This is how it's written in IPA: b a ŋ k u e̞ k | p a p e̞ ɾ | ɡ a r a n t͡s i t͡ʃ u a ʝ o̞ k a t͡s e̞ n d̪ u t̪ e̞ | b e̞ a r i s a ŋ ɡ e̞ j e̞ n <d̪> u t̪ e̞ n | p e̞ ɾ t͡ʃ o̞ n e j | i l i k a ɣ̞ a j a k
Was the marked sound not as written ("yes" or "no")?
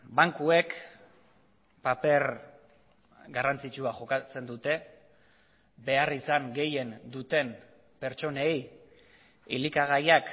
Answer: no